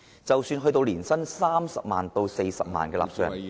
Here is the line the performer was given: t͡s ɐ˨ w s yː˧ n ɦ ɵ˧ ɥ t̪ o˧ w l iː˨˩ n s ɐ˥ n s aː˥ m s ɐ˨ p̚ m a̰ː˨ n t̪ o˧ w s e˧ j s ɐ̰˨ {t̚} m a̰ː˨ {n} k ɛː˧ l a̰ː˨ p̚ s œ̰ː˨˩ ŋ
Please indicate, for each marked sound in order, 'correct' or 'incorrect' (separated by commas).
incorrect, correct